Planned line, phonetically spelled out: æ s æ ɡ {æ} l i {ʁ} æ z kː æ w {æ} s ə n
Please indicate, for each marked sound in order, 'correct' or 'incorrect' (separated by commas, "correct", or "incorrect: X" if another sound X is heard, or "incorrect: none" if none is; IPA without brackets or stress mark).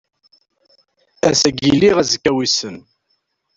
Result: incorrect: i, correct, incorrect: i